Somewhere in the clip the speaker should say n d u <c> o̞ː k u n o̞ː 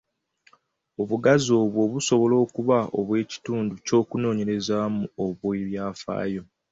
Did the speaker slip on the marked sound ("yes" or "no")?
no